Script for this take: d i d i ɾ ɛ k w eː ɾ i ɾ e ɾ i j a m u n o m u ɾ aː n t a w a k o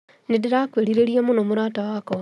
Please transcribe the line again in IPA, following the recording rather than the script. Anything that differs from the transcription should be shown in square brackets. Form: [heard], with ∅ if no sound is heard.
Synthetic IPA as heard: [n] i d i ɾ [a] k w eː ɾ i ɾ e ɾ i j a m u n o m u ɾ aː [∅] t a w a k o